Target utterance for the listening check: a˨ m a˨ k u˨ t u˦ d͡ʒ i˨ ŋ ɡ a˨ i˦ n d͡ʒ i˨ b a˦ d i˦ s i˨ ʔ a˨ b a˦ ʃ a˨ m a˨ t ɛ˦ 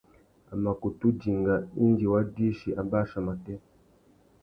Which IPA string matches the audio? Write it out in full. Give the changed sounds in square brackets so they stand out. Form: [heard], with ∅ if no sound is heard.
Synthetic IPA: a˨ m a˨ k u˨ t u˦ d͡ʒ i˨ ŋ ɡ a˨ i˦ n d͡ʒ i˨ [w] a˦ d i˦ [ʃ] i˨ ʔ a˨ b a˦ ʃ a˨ m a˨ t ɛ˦